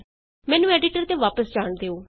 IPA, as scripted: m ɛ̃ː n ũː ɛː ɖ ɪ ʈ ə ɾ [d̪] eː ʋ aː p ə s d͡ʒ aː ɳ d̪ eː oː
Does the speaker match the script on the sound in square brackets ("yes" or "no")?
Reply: no